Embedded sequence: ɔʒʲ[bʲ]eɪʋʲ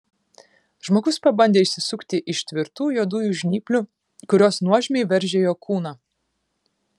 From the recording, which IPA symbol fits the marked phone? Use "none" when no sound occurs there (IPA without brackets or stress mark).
mʲ